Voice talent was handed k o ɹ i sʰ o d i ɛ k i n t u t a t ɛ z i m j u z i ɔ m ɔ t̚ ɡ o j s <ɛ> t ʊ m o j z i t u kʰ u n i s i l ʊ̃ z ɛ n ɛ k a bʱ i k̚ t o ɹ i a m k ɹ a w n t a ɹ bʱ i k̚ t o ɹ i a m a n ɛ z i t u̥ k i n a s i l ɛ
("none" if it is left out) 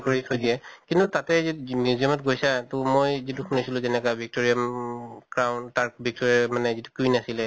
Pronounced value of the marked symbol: a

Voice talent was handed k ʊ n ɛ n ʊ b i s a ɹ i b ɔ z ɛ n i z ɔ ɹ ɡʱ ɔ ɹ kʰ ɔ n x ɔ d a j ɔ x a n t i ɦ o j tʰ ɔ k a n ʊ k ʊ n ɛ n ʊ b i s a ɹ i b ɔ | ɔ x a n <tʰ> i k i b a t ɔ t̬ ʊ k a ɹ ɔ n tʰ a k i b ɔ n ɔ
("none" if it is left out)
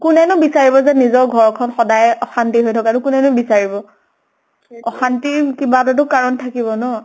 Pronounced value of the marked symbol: t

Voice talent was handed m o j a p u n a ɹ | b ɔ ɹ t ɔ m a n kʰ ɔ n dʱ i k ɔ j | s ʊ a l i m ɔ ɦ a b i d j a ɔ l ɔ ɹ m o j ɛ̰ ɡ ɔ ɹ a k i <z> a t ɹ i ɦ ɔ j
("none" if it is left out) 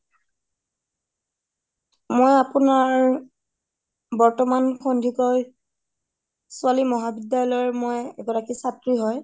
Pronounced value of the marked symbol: s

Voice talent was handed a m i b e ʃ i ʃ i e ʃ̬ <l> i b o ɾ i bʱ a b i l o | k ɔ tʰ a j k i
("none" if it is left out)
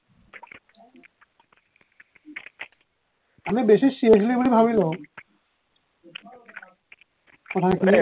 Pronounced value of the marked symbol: l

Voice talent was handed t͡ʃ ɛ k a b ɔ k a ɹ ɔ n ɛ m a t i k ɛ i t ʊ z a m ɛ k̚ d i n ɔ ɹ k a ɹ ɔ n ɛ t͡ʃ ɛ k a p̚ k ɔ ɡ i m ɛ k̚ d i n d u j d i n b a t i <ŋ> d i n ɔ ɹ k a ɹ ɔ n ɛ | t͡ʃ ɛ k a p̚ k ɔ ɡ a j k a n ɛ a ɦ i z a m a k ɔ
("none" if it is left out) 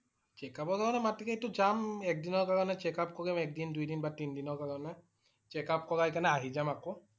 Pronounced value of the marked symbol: n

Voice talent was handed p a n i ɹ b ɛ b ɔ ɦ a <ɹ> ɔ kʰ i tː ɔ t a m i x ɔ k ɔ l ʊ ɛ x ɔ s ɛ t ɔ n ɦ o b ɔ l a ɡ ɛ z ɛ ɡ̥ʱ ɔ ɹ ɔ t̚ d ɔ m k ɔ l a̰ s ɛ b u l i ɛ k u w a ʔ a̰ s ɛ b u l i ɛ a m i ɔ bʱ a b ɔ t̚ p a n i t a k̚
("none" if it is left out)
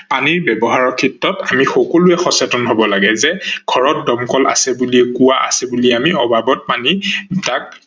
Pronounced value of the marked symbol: ɹ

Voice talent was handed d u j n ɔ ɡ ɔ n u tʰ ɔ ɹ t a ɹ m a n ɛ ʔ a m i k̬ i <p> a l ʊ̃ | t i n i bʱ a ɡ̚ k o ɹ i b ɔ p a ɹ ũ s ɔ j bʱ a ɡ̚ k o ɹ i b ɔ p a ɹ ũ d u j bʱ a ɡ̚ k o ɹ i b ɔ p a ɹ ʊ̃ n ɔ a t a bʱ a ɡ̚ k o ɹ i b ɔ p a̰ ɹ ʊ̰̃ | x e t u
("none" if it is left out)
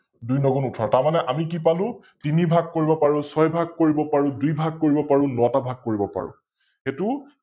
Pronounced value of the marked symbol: p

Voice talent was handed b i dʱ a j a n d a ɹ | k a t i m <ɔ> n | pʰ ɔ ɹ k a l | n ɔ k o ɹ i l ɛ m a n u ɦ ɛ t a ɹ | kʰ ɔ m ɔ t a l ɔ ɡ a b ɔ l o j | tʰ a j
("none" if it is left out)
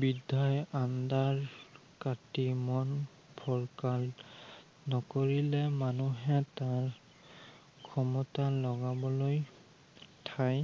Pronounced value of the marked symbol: ɔ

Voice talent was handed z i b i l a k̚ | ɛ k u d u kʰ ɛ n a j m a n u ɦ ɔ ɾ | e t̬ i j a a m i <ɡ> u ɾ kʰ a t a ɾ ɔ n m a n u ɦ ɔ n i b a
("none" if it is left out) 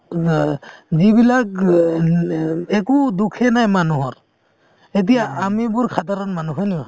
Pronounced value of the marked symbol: b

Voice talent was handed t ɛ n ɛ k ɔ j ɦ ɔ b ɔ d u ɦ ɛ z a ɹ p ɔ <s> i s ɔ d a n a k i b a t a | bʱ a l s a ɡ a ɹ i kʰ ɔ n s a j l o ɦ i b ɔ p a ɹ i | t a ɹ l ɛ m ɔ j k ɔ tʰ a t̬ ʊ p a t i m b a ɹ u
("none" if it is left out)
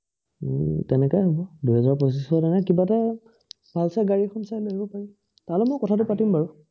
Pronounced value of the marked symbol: s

